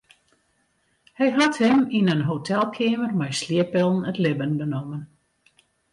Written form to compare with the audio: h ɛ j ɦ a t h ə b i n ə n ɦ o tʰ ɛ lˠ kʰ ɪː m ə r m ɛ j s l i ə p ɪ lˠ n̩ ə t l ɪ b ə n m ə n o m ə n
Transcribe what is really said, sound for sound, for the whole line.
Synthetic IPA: h ɛ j ɦ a t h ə m i n ə n ɦ o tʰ ɛ lˠ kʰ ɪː m ə r m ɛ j s l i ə p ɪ lˠ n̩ ə t l ɪ b ə n b ə n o m ə n